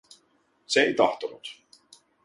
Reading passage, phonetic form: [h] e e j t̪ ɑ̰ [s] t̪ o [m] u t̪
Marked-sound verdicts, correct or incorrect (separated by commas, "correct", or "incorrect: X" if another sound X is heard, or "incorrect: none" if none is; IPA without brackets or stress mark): incorrect: s, incorrect: h, incorrect: n